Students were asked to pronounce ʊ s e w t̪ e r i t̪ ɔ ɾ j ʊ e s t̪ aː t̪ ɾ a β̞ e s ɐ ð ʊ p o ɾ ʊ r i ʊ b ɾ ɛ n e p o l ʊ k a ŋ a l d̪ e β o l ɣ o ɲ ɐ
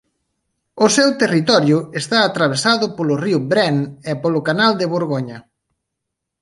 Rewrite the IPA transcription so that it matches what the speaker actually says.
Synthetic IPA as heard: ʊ s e w t̪ e r i t̪ ɔ ɾ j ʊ e s t̪ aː t̪ ɾ a β̞ e s a ð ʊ p o l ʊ r i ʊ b ɾ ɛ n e p o l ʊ k a n a l d̪ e β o ɾ ɣ o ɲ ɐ